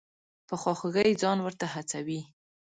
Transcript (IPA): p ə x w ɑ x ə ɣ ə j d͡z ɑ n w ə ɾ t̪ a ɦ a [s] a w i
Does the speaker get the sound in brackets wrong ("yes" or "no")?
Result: yes